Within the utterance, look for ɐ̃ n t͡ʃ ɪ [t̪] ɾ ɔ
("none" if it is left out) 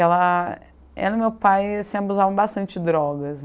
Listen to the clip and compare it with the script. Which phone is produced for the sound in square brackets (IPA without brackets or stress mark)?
d̪